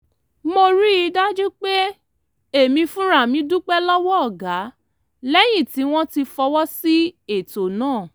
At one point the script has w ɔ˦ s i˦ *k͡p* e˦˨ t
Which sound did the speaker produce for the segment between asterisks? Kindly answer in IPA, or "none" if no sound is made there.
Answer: none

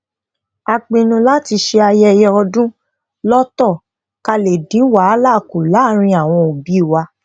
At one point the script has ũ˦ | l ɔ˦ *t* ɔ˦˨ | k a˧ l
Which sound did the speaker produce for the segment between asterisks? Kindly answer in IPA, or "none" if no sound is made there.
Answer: t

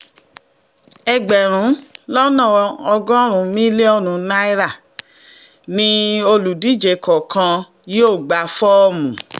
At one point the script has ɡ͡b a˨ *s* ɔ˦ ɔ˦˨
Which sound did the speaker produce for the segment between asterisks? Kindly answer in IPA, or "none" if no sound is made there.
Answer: f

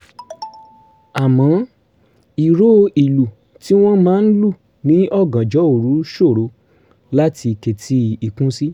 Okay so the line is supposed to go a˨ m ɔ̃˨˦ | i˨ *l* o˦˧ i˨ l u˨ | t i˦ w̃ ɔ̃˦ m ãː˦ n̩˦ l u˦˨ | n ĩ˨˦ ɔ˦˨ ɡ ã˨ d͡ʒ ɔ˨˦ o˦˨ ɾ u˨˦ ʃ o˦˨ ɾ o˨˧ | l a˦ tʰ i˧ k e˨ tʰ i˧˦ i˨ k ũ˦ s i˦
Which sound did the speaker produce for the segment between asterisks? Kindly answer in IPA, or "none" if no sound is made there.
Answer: ɾ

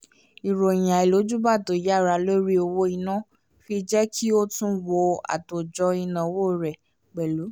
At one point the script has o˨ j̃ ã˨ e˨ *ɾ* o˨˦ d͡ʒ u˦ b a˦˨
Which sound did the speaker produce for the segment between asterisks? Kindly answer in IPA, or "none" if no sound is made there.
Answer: l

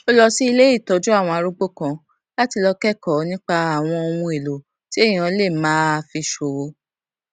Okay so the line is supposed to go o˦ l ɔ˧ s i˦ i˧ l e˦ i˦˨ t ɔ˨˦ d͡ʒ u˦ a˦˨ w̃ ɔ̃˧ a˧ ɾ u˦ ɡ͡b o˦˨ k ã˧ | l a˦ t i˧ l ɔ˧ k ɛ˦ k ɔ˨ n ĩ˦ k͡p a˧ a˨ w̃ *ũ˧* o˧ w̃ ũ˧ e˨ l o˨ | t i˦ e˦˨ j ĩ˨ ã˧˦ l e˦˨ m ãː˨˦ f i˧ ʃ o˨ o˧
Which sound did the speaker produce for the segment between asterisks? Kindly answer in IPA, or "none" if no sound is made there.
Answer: ɔ̃˧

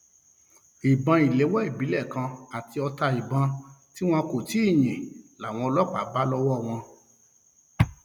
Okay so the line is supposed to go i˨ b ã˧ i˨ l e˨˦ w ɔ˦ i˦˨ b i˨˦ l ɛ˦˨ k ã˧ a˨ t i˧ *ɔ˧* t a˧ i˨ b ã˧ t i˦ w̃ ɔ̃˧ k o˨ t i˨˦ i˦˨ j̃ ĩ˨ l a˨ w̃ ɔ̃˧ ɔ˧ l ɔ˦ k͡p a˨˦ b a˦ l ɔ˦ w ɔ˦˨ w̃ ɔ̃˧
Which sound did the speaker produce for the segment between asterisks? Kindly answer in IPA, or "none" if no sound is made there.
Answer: ɔ˧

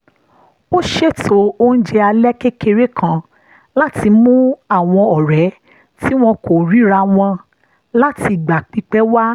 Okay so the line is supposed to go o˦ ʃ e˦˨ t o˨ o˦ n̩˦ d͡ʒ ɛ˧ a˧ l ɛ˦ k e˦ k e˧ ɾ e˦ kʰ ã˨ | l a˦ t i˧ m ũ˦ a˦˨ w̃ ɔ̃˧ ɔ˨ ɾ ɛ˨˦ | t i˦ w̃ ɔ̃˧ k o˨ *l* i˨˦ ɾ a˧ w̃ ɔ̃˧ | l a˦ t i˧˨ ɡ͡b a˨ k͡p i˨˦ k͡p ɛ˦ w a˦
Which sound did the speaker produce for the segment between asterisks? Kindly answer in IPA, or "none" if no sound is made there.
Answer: ɾ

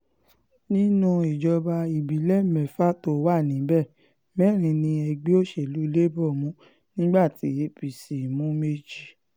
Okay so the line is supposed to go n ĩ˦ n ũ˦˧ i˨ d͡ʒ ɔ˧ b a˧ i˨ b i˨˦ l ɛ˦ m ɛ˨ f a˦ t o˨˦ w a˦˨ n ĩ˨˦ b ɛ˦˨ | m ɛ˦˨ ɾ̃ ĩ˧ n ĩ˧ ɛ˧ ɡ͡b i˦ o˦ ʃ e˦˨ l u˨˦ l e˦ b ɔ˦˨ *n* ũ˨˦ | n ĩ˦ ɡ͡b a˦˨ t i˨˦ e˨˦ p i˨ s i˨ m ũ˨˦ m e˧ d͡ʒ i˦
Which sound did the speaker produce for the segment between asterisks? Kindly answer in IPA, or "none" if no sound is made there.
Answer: m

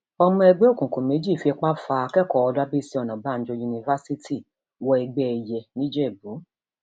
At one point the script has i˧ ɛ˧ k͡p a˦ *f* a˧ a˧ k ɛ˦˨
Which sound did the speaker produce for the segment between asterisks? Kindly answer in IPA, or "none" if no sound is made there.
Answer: f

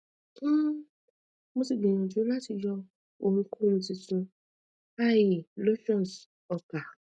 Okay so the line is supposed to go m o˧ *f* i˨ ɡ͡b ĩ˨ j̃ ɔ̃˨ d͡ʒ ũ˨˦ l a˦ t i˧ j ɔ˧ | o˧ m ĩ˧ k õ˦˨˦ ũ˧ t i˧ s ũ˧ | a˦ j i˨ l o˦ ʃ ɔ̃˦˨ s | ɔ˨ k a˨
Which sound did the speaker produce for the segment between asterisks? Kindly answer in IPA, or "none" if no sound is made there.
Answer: s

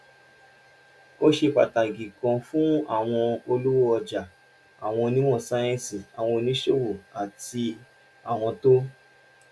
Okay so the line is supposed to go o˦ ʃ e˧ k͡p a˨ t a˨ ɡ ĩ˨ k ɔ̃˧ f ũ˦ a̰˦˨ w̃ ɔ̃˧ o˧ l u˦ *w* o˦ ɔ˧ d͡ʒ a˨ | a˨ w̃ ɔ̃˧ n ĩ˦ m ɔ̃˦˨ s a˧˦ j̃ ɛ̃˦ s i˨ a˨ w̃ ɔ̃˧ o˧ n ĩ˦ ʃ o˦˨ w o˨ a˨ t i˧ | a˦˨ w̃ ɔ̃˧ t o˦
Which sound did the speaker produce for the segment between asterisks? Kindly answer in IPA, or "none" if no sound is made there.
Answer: w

